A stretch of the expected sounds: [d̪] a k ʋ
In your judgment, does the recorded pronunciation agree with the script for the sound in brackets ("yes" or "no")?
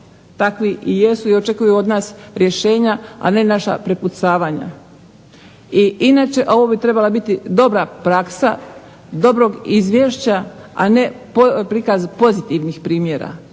no